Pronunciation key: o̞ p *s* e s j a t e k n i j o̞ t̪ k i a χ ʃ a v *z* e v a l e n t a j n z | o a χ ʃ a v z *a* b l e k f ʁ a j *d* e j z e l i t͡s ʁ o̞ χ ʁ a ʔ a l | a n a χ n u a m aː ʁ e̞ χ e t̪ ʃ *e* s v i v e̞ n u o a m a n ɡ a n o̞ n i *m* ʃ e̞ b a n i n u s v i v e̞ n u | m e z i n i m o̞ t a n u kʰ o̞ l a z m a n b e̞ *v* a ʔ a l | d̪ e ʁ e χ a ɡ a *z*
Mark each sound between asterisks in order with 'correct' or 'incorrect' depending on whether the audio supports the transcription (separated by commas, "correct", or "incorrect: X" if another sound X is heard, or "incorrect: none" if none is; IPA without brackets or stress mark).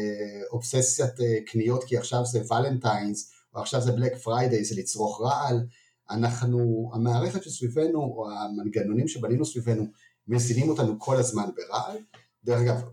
correct, correct, incorrect: e, correct, correct, correct, incorrect: ʁ, incorrect: v